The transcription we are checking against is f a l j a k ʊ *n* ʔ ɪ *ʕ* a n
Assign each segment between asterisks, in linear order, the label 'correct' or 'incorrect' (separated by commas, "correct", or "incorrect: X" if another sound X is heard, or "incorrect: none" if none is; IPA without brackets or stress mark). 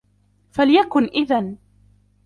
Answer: correct, incorrect: ð